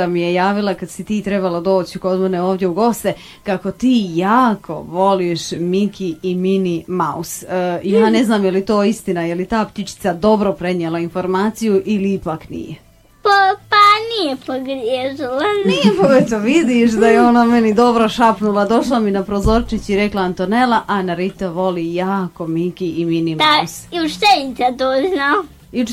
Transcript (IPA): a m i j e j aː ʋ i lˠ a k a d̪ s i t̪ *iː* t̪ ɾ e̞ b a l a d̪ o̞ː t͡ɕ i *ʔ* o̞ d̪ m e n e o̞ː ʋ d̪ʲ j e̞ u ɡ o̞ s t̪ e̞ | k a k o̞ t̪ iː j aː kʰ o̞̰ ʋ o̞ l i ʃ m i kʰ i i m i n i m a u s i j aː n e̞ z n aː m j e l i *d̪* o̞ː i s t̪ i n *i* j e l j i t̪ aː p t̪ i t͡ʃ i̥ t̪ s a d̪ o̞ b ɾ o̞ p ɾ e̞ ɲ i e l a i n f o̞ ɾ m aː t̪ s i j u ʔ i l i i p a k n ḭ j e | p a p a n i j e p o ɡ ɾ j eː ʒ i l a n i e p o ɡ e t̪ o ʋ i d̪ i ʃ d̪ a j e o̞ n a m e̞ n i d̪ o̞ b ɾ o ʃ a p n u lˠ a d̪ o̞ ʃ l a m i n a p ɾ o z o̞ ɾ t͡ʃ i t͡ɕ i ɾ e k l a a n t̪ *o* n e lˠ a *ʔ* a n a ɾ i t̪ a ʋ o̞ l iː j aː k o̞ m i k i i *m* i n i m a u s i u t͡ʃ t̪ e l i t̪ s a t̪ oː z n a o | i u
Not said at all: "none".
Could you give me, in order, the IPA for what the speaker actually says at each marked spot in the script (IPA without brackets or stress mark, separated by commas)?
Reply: iː, k, t̪, a, o, ʔ, m